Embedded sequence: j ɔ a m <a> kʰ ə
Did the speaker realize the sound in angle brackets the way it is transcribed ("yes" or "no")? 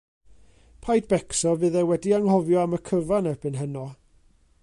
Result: no